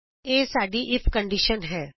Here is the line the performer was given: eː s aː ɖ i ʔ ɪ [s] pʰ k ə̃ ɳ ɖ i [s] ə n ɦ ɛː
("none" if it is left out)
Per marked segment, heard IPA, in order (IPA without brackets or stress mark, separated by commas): none, ʃ